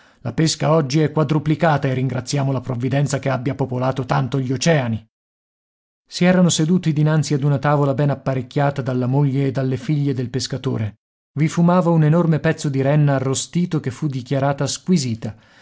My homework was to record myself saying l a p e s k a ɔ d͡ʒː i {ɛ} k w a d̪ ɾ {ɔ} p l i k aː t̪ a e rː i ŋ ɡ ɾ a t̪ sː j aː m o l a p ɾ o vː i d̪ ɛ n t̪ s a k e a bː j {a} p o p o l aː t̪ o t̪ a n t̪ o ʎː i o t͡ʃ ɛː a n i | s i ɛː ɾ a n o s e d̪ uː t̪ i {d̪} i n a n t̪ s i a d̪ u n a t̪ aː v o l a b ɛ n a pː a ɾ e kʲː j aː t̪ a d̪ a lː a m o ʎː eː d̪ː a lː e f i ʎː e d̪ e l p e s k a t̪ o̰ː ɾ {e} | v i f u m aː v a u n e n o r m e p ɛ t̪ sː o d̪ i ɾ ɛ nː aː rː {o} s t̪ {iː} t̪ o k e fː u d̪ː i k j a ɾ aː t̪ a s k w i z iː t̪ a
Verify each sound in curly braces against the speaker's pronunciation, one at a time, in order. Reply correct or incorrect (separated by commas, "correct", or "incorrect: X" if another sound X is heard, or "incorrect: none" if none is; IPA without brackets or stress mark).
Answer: correct, incorrect: u, correct, correct, correct, correct, correct